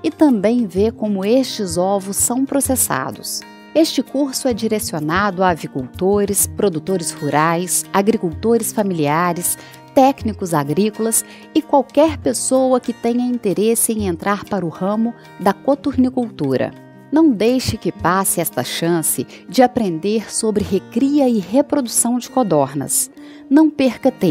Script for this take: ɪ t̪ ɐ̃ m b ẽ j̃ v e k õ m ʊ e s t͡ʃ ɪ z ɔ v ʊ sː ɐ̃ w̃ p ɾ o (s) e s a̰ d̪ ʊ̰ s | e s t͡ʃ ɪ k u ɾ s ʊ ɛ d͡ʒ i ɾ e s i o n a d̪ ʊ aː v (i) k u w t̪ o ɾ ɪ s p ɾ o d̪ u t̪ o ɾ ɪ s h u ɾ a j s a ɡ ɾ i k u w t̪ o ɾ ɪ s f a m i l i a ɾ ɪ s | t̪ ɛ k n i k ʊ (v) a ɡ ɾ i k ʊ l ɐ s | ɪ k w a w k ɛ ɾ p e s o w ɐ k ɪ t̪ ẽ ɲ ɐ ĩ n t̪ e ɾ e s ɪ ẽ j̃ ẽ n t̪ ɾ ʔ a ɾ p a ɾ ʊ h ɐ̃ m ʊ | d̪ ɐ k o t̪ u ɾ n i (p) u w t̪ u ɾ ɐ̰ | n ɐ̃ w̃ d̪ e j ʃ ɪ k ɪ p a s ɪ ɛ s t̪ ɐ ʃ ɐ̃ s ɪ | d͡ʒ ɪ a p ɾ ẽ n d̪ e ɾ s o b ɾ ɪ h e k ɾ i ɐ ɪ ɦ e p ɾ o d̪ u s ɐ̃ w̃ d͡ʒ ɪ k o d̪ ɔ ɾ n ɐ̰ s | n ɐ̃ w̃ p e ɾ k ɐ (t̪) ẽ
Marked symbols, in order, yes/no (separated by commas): yes, yes, no, no, yes